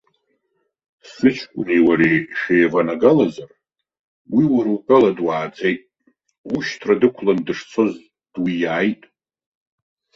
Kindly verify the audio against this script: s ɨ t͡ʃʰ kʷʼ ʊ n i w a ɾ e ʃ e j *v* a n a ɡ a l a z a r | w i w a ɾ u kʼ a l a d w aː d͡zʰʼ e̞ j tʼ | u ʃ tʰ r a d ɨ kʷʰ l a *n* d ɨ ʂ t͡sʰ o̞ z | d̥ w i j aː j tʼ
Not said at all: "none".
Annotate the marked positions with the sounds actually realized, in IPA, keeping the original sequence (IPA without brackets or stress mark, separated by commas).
v, n